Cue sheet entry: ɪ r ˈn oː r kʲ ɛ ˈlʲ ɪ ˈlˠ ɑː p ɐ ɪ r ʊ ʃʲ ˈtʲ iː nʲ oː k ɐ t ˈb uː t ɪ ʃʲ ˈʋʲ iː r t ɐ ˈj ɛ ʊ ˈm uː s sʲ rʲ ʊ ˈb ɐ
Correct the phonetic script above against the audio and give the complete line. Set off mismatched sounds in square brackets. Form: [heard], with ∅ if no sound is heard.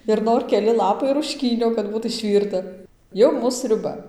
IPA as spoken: ɪ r ˈn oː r kʲ ɛ ˈlʲ ɪ ˈlˠ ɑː p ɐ ɪ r ʊ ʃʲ [ˈkʲ] iː nʲ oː k ɐ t ˈb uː t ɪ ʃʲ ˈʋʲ iː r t ɐ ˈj ɛ ʊ ˈm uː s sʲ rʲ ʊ ˈb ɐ